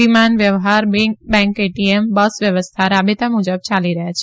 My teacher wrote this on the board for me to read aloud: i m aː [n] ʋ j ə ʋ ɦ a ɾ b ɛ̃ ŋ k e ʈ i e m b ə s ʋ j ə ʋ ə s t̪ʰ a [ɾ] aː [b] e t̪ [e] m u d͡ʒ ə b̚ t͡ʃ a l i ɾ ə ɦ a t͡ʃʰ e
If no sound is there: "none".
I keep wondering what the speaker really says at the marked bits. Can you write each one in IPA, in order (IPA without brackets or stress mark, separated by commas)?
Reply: n, ɾ, b, a